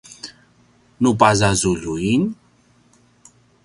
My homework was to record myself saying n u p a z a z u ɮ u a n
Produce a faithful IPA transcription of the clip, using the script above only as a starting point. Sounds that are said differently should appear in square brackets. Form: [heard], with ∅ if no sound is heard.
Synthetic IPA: n u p a z a z u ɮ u [i] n

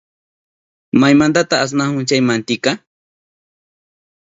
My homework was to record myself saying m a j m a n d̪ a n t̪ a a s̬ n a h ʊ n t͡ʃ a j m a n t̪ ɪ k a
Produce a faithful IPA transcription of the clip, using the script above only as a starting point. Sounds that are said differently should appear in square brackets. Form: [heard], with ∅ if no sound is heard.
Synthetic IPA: m a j m a n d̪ a [∅] t̪ a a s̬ n a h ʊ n t͡ʃ a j m a n t̪ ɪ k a

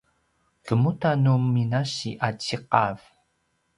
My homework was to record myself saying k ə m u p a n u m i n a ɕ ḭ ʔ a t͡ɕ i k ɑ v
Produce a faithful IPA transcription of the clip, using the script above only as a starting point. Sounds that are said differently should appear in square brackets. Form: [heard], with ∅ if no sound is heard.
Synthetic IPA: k ə m u [t] a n u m i n a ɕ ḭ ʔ a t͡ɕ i [q] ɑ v

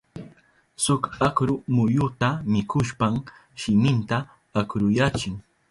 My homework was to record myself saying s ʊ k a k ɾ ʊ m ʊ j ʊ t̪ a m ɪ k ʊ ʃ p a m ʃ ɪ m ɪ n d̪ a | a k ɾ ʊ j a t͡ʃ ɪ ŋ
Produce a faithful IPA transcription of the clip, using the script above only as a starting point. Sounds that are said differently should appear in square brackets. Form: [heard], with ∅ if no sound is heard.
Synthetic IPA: s ʊ k a k ɾ ʊ m ʊ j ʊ t̪ a m ɪ k ʊ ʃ p a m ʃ ɪ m ɪ n [t̪] a | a k ɾ ʊ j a t͡ʃ ɪ ŋ

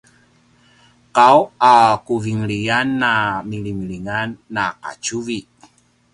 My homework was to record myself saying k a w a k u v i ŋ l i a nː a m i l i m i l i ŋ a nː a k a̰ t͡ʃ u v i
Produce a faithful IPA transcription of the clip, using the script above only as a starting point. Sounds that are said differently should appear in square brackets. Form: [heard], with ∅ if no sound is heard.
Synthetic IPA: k a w a k u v i ŋ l i a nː a m i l i m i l i ŋ a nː a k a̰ t͡ʃ u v i

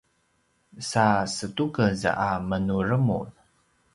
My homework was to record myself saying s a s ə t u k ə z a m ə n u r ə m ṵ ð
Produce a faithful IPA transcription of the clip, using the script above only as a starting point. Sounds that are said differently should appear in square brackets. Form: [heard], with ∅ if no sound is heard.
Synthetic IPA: s a s ə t u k ə z a m ə n u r ə m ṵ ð

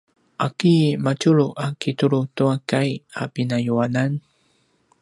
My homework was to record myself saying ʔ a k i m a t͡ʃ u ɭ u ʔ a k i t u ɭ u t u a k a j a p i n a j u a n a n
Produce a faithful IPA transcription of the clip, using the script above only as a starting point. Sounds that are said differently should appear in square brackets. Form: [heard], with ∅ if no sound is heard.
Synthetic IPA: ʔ a k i m a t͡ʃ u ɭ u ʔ a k i t u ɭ u t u a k a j a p i n a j u a n a n

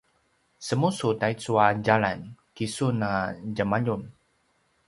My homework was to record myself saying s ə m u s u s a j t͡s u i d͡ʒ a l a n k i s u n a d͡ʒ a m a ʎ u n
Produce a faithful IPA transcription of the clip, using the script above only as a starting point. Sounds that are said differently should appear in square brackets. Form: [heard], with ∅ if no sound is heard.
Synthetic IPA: s ə m u s u [t] a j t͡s u [a] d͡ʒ a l a n k i s u n a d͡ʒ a m a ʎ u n

